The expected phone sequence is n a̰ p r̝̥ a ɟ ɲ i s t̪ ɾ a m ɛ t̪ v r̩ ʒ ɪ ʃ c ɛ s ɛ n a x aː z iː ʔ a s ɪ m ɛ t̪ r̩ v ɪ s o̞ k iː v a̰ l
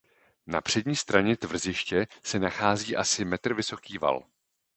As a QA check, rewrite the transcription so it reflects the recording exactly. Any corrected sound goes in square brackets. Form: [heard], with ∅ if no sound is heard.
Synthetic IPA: n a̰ p r̝̥ [ɛ] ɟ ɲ [iː] s t̪ ɾ a [ɲ] ɛ t̪ v r̩ [z] ɪ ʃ c ɛ s ɛ n a x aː z iː ʔ a s ɪ m ɛ t̪ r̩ v ɪ s o̞ k iː v a̰ l

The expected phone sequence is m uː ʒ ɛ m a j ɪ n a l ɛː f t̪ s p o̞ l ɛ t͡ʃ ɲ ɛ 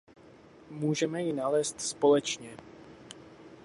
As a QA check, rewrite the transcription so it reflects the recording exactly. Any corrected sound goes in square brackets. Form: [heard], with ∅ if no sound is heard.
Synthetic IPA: m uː ʒ ɛ m [ɛ] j ɪ n a l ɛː [s] t̪ s p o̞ l ɛ t͡ʃ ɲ ɛ

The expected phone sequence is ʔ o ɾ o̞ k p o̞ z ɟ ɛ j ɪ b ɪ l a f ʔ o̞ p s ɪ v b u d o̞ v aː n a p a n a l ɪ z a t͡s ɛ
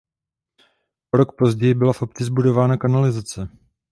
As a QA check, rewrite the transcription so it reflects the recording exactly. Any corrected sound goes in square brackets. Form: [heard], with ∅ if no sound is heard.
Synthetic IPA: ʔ o ɾ o̞ k p o̞ z ɟ ɛ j ɪ b ɪ l a f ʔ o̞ p [t͡s] ɪ [z] b u d o̞ v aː n a [k] a n a l ɪ z a t͡s ɛ

